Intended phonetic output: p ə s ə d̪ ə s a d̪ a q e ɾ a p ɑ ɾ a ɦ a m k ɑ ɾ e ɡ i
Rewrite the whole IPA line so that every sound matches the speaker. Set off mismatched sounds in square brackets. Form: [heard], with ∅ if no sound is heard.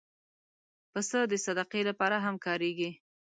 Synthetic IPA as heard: p ə s ə d̪ ə s a d̪ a q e [l] a p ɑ ɾ a ɦ a m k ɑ ɾ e ɡ i